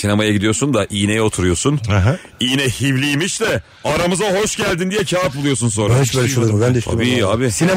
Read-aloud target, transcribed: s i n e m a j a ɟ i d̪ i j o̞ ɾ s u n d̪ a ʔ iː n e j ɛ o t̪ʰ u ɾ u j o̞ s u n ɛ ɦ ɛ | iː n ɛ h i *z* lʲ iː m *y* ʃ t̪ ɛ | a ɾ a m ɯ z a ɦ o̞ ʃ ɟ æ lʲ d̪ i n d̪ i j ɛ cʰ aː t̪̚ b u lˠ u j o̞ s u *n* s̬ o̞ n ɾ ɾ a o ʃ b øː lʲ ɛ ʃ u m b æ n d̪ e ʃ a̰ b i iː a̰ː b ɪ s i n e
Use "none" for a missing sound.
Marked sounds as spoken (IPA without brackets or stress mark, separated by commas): v, i, n